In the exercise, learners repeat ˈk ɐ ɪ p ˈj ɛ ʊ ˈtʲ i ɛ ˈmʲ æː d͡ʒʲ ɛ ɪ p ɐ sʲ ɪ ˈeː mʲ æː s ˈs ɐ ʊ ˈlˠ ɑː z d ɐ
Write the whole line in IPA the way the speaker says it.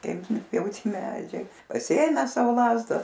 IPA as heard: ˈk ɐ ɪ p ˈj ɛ ʊ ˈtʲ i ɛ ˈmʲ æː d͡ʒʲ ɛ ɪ p ɐ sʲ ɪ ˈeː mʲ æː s ˈs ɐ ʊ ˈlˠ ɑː z d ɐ